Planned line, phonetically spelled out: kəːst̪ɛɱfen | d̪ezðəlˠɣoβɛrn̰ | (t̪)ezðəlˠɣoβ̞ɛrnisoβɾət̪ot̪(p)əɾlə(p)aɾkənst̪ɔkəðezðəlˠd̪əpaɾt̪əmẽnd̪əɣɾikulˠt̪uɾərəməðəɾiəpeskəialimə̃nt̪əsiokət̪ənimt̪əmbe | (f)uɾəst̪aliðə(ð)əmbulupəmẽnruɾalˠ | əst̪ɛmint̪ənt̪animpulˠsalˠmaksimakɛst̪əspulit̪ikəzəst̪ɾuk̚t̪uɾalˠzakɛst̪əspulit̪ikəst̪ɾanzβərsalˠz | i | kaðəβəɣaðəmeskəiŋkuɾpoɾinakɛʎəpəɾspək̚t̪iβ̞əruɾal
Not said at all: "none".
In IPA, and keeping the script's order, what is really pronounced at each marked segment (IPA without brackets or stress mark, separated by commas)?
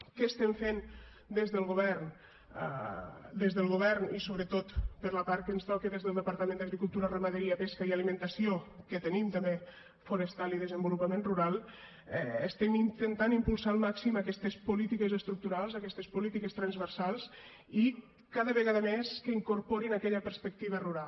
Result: d̪, p, p, f, z